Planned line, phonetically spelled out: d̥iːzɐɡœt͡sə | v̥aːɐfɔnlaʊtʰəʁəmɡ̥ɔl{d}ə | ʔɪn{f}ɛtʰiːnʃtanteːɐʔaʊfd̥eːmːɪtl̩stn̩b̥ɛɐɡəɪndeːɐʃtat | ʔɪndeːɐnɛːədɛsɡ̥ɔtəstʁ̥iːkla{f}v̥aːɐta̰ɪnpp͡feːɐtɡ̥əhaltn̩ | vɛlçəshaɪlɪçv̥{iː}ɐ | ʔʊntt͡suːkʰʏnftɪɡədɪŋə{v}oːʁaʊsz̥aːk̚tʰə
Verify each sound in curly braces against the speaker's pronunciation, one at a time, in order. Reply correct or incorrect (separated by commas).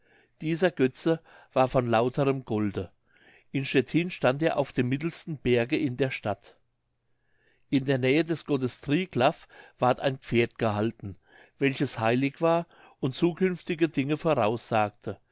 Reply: correct, incorrect, correct, incorrect, incorrect